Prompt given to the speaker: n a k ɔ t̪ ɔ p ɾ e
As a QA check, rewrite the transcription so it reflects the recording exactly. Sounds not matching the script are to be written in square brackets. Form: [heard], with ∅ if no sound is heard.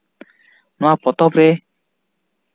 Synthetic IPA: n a [p] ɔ t̪ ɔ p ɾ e